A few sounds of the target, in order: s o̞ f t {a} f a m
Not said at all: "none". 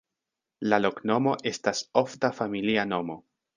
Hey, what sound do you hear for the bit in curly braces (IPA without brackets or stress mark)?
a